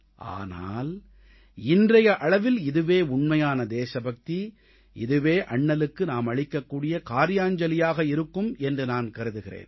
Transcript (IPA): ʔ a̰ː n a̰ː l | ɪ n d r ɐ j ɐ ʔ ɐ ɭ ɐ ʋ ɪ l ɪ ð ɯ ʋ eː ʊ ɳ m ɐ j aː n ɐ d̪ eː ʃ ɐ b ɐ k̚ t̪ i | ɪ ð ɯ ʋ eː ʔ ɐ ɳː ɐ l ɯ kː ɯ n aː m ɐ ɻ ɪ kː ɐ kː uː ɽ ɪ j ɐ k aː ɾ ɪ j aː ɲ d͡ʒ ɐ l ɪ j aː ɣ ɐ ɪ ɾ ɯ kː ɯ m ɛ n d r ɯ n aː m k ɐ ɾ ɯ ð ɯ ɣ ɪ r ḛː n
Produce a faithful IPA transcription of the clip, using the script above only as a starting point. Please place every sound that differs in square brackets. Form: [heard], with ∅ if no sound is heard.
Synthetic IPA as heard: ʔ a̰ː n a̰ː l | ɪ n d r ɐ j ɐ ʔ ɐ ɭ ɐ ʋ ɪ l ɪ ð ɯ ʋ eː ʊ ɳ m ɐ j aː n ɐ d̪ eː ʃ ɐ b ɐ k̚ t̪ i | ɪ ð ɯ ʋ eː ʔ ɐ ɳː ɐ l ɯ kː ɯ n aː m ɐ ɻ ɪ kː ɐ kː uː ɽ ɪ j ɐ k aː ɾ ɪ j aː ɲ d͡ʒ ɐ l ɪ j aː ɣ ɐ ɪ ɾ ɯ kː ɯ m ɛ n d r ɯ n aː [n] k ɐ ɾ ɯ ð ɯ ɣ ɪ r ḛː n